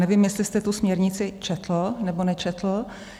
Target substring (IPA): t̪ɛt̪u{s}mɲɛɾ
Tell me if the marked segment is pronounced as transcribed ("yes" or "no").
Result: yes